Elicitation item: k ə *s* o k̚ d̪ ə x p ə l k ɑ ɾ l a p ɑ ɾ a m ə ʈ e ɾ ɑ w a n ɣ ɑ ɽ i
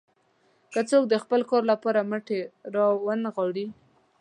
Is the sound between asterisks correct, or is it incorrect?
incorrect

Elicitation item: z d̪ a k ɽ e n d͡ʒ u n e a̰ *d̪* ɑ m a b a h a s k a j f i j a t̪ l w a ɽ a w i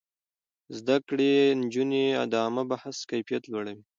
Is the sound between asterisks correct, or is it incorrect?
correct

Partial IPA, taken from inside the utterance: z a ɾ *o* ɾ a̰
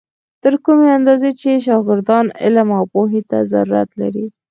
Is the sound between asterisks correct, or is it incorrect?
incorrect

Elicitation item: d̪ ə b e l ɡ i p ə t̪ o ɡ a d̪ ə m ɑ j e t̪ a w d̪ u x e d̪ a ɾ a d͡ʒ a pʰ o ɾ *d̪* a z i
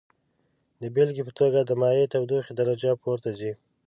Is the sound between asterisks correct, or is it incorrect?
incorrect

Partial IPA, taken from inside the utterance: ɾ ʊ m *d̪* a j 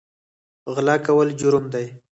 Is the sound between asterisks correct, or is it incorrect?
correct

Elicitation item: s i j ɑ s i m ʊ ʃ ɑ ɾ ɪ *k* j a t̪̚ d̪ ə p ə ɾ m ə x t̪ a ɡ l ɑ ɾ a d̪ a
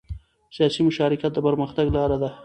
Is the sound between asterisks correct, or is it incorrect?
correct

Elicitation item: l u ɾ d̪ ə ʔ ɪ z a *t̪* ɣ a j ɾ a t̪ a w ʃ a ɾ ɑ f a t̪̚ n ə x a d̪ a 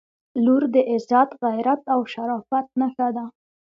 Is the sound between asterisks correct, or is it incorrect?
correct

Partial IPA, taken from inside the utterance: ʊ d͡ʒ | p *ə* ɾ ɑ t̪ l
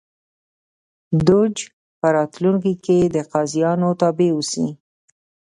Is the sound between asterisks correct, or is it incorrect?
correct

